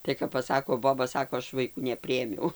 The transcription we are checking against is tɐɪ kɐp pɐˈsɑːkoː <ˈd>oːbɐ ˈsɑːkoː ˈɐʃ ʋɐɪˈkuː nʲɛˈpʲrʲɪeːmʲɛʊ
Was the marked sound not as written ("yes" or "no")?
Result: yes